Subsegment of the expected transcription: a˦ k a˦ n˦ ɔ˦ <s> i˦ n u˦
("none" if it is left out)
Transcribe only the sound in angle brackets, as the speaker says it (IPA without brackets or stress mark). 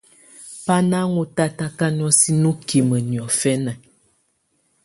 s